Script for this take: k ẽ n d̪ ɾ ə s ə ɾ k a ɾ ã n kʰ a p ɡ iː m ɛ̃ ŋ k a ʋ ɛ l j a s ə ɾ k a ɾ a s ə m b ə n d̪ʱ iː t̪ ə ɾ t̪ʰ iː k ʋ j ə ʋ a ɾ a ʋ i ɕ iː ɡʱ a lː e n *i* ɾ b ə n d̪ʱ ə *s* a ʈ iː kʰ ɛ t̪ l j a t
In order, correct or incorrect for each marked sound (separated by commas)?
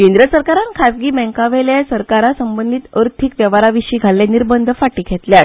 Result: correct, incorrect